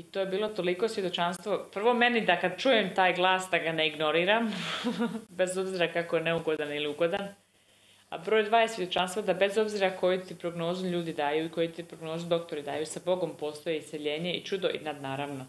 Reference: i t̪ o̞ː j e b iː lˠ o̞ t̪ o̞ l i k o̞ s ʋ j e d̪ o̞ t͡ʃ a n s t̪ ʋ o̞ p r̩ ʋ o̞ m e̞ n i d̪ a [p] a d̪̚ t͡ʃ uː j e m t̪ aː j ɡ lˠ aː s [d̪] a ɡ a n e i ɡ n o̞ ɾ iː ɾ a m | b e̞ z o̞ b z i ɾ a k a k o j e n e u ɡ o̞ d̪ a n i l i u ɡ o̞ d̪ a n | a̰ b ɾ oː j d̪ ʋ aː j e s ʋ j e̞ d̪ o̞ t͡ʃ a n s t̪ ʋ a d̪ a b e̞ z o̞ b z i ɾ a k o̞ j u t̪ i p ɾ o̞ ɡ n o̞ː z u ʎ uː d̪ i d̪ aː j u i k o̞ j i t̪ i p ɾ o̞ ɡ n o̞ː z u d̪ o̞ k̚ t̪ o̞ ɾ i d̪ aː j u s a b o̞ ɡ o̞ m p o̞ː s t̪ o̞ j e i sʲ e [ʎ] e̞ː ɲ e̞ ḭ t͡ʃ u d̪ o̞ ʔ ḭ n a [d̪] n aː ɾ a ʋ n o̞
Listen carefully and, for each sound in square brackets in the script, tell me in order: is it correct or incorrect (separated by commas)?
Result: incorrect, correct, correct, correct